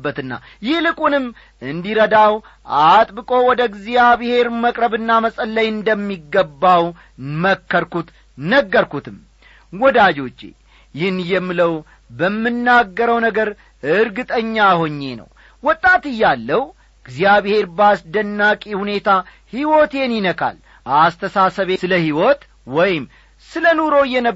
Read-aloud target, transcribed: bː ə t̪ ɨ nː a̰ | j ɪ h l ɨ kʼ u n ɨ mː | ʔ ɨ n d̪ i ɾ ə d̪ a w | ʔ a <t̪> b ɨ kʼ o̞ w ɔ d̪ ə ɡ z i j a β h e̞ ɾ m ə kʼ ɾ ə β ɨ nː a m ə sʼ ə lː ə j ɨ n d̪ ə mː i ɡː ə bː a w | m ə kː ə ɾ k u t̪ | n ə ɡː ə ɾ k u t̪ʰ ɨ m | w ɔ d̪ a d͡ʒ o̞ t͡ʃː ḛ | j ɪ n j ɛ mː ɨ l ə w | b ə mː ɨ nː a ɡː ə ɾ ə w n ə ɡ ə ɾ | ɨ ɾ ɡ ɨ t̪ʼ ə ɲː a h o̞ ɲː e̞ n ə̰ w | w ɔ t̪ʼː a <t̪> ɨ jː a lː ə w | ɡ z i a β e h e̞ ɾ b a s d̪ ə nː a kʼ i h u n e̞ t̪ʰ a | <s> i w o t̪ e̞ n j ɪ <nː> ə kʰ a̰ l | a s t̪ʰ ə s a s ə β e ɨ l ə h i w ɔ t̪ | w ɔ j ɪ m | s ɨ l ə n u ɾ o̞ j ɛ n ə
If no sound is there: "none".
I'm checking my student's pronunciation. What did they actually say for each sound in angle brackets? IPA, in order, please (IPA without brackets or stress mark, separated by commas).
t̪ʼ, t̪, h, n